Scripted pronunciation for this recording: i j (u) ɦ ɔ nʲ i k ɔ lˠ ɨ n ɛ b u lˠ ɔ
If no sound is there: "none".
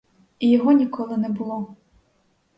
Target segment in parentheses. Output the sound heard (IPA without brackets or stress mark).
ɔ